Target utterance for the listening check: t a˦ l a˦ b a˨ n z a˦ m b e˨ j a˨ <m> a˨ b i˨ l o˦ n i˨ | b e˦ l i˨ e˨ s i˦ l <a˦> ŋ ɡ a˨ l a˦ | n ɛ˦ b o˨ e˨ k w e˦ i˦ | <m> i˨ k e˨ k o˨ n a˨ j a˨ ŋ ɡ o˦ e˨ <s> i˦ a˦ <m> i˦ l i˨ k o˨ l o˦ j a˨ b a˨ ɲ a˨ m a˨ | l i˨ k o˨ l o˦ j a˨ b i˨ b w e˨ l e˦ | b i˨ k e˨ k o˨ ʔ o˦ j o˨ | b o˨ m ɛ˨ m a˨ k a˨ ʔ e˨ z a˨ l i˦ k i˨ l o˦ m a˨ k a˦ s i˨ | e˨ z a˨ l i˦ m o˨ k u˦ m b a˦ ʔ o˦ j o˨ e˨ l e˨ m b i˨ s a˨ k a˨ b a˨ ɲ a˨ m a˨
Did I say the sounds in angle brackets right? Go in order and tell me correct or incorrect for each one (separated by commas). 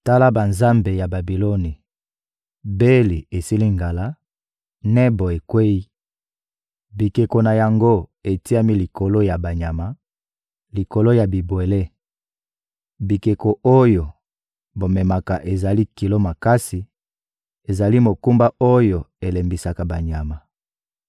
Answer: incorrect, incorrect, incorrect, incorrect, correct